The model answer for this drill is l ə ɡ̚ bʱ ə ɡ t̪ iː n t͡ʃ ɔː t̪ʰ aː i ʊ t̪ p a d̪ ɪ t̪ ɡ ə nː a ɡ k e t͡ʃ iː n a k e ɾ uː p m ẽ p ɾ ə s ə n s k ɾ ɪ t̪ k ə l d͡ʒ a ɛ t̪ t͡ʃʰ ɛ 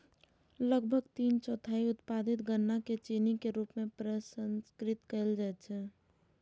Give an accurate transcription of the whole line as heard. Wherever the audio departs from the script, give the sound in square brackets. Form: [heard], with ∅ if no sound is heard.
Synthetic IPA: l ə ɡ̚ bʱ ə ɡ t̪ iː n t͡ʃ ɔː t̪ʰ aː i ʊ t̪ p a d̪ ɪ t̪ ɡ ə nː a [∅] k e t͡ʃ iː n [i] k e ɾ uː p m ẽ p ɾ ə s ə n s k ɾ ɪ t̪ k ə l d͡ʒ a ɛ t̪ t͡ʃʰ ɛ